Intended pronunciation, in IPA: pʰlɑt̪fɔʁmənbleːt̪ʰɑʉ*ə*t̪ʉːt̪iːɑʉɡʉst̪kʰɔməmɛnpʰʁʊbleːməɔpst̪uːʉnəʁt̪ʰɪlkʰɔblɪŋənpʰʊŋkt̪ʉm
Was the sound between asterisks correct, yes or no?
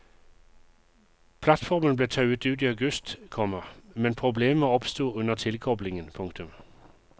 yes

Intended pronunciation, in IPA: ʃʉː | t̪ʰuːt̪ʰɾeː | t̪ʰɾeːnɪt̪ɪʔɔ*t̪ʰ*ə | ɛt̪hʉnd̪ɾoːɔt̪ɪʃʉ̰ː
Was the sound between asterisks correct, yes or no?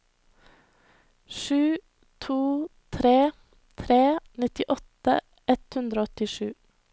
no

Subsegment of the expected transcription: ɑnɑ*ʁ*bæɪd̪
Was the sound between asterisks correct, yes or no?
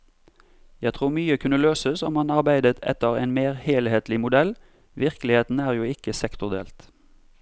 yes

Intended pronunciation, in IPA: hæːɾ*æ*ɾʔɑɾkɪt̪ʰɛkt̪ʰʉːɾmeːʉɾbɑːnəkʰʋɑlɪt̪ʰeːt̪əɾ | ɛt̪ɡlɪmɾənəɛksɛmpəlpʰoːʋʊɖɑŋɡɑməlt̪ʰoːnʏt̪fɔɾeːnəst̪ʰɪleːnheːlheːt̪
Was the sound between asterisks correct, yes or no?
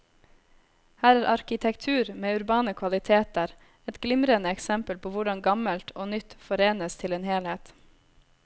no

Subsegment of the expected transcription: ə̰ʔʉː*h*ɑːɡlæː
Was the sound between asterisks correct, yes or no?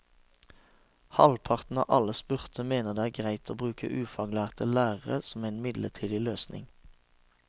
no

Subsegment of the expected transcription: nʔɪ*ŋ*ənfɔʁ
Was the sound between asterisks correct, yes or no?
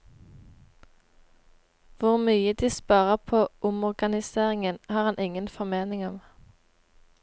yes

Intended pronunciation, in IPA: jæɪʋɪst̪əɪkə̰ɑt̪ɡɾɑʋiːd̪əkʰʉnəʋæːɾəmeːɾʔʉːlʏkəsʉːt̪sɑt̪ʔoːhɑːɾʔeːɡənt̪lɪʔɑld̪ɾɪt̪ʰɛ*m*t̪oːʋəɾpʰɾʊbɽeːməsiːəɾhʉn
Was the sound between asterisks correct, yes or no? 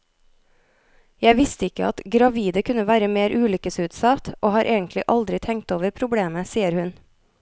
no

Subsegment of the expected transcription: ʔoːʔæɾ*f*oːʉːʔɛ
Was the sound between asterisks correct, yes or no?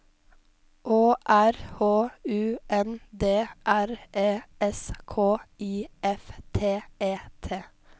no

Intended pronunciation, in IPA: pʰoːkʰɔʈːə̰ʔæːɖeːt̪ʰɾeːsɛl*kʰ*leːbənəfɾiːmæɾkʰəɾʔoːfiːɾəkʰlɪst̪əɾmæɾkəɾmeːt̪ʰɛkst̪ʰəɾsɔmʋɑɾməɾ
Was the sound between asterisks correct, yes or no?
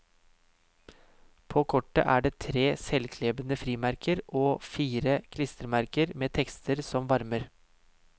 yes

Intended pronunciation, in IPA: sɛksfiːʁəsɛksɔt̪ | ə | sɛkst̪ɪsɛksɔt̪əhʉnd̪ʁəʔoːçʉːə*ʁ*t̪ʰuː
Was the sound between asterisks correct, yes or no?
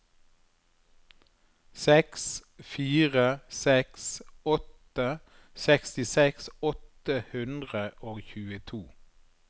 no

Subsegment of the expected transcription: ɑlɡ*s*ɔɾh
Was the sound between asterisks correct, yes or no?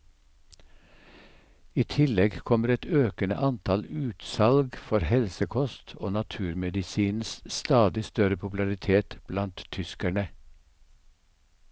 no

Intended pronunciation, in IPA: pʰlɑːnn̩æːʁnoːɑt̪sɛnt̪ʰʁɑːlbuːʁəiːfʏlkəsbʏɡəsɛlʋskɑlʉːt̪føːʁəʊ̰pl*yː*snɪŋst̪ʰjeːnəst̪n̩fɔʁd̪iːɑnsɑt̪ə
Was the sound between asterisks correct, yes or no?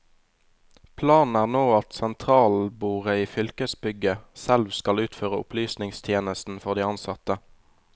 yes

